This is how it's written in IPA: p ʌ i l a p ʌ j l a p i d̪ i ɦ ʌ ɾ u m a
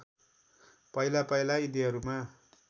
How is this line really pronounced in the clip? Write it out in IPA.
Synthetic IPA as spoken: p ʌ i l a p ʌ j l a i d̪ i ɦ ʌ ɾ u m a